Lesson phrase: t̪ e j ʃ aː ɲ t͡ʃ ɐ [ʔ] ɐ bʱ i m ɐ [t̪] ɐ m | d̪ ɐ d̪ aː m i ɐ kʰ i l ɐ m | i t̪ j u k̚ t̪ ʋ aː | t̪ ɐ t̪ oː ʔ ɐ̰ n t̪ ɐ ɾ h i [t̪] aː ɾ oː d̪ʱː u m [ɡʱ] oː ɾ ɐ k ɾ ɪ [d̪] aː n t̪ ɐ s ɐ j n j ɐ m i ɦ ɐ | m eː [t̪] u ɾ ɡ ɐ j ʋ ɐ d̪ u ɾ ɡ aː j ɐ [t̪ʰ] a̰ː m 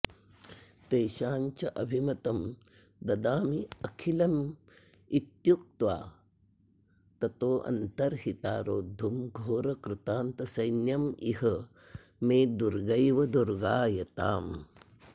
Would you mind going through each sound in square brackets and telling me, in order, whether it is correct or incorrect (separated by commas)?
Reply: correct, correct, correct, correct, incorrect, incorrect, incorrect